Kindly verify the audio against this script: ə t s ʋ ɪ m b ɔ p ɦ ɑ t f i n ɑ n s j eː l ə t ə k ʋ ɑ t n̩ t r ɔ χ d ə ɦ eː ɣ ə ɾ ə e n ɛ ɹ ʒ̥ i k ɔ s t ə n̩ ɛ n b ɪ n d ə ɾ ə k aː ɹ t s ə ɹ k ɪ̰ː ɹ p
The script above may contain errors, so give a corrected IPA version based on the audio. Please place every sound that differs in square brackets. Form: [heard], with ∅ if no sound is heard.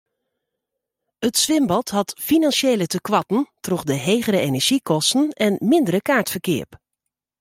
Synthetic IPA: ə t s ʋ ɪ m b ɔ [t] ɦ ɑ t f i n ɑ n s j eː l ə t ə k ʋ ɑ t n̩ t r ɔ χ d ə ɦ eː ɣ ə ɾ ə e n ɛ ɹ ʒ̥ i k ɔ s t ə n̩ ɛ n [m] ɪ n d ə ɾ ə k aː ɹ t [f] ə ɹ k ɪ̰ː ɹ p